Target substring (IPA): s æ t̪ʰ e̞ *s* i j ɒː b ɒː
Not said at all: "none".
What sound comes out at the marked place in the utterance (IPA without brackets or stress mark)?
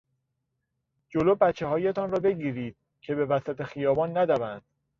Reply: x